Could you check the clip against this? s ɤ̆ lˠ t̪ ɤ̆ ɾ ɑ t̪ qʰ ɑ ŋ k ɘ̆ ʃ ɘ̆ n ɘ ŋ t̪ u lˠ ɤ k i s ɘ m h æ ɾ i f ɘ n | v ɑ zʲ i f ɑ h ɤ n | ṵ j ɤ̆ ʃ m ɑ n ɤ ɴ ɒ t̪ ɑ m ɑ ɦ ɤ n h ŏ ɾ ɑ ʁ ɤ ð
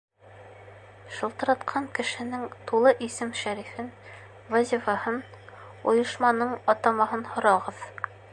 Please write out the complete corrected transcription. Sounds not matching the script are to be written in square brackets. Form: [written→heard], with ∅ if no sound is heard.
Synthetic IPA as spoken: [s→ʃ] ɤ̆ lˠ t̪ ɤ̆ ɾ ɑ t̪ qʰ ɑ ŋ k ɘ̆ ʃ ɘ̆ n ɘ ŋ t̪ u lˠ ɤ [k→ʔ] i s ɘ m [h→ʃ] æ ɾ i f ɘ n | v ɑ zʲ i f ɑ h ɤ n | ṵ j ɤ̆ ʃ m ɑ n ɤ ɴ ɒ t̪ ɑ m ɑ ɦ ɤ n h ŏ ɾ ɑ ʁ ɤ ð